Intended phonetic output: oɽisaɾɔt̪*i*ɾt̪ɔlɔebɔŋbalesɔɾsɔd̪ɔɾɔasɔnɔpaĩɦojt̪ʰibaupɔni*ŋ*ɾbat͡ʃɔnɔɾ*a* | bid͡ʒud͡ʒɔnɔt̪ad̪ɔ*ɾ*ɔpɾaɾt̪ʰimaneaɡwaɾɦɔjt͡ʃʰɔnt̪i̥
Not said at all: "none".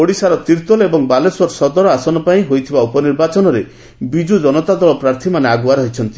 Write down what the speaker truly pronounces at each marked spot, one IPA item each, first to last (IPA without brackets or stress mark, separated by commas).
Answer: i, none, e, ɭ